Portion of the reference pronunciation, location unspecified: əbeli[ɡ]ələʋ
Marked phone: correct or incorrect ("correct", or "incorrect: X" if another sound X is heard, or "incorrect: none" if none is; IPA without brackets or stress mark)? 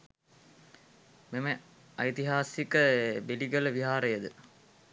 correct